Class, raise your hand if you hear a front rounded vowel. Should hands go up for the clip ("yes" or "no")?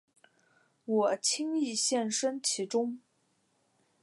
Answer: no